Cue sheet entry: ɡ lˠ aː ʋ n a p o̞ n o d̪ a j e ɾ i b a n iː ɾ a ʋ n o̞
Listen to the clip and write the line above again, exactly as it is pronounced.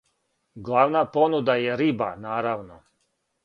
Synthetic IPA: ɡ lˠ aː ʋ n a p o̞ n u d̪ a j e ɾ i b a n aː ɾ a ʋ n o̞